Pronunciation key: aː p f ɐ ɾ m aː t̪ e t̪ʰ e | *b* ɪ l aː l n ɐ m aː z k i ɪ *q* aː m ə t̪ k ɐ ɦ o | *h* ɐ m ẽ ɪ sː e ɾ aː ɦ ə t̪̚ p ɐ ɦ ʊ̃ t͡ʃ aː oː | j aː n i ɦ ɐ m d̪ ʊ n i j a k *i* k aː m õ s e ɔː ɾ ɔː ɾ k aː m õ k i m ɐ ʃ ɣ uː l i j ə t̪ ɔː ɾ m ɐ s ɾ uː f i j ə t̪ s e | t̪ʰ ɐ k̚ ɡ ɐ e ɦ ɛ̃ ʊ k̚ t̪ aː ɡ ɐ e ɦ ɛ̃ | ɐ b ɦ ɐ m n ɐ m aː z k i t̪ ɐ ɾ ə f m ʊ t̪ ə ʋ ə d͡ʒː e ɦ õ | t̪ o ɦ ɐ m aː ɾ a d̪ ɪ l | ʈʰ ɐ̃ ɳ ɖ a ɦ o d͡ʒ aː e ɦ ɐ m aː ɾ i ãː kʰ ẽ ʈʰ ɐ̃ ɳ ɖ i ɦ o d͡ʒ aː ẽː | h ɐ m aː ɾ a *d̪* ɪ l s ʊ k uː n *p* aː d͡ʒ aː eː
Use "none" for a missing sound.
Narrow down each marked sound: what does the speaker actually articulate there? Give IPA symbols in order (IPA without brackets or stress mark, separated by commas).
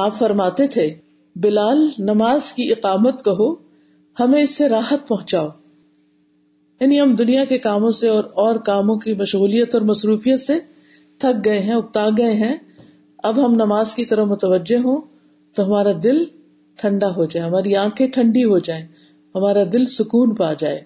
b, q, h, e, d̪, p